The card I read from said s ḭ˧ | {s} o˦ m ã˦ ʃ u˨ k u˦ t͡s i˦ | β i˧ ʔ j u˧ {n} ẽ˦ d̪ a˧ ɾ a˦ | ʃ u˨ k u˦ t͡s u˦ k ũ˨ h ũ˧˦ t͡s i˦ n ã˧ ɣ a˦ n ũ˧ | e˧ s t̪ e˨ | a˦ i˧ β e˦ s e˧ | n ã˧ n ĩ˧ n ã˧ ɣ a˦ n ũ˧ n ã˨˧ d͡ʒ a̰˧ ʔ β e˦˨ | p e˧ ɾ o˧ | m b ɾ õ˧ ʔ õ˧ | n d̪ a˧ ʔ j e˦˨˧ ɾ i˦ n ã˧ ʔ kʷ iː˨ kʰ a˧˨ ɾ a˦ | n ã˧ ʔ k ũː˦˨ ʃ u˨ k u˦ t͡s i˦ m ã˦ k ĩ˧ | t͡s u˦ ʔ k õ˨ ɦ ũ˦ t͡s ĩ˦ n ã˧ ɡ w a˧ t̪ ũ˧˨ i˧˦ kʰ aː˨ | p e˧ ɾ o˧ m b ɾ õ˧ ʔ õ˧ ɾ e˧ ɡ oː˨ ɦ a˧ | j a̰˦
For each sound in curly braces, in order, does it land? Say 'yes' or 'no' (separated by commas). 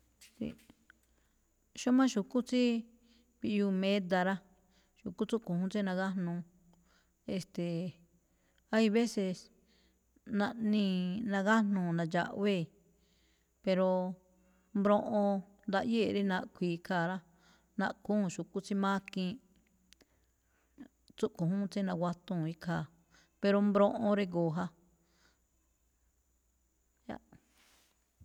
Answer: no, no